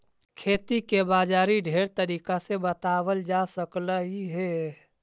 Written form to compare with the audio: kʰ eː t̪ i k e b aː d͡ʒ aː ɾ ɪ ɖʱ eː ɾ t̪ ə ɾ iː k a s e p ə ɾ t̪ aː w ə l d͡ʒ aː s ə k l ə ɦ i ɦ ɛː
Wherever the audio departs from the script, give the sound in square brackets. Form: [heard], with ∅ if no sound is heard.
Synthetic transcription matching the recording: kʰ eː t̪ i k e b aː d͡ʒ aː ɾ [i] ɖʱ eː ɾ t̪ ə ɾ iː k a s e [b] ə [∅] t̪ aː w ə l d͡ʒ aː s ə k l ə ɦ i ɦ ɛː